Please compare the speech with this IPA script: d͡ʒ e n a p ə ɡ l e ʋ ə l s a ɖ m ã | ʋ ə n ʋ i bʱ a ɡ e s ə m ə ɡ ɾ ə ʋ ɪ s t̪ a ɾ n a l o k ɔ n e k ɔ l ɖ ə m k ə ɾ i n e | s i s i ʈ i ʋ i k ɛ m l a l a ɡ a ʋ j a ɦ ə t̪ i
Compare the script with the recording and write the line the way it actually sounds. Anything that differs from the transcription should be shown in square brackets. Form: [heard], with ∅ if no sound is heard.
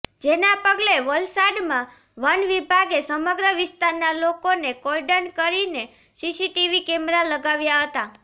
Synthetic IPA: d͡ʒ e n a p ə ɡ l e ʋ ə l s a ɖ m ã | ʋ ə n ʋ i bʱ a ɡ e s ə m ə ɡ ɾ ə ʋ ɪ s t̪ a ɾ n a l o k [o] n e k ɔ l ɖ ə [n] k ə ɾ i n e | s i s i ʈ i ʋ i k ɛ m [ɾ] a l [ə] ɡ a ʋ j a ɦ ə t̪ [a]